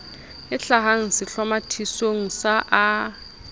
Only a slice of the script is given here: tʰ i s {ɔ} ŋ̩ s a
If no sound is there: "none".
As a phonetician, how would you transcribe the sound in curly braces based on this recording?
o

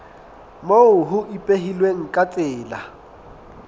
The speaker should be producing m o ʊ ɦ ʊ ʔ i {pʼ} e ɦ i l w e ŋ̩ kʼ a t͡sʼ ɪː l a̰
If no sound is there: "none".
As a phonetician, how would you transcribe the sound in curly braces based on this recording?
pʼ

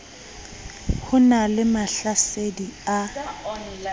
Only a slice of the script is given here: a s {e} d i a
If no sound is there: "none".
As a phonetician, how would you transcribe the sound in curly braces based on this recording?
e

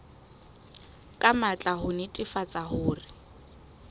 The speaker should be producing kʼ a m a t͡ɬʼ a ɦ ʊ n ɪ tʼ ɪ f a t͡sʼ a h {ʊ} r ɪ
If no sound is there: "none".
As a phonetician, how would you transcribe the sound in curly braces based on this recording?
ʊː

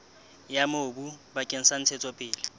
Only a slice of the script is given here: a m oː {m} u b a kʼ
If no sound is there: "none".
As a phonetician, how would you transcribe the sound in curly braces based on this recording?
b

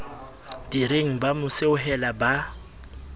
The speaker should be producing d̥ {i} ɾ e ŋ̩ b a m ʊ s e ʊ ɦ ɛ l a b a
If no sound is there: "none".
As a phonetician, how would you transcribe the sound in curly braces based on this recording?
i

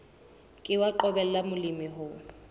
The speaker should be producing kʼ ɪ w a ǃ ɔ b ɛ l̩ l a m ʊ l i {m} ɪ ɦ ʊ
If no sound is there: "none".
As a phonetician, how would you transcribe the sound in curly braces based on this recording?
m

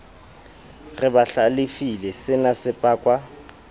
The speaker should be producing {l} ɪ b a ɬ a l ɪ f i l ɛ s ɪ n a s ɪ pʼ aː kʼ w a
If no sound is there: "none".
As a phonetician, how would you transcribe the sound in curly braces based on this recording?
r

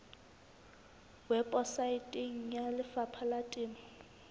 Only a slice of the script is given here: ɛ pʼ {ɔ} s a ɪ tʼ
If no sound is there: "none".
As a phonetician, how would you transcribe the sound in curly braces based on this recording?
ɔ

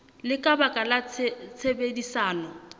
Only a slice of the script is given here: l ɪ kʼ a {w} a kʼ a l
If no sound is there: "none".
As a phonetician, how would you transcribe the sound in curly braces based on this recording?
b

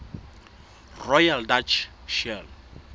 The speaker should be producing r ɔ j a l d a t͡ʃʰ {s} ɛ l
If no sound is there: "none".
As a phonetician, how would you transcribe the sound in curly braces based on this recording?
ʃ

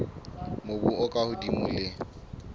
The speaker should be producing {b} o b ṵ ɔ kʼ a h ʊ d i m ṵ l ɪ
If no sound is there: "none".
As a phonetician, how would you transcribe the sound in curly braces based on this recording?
m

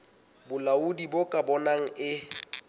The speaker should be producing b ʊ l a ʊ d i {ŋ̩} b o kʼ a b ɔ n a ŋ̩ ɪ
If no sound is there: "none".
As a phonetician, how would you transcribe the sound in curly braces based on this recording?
none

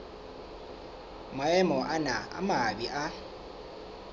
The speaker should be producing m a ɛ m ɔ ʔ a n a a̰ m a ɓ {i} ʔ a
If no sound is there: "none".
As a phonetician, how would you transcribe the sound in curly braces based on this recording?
i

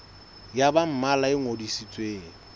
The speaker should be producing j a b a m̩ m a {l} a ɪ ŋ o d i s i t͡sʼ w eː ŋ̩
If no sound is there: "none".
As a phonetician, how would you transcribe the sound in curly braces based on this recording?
l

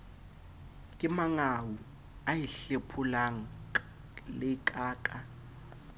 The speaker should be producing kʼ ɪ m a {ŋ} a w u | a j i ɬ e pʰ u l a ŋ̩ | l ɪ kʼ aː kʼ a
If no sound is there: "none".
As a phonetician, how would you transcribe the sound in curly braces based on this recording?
ŋ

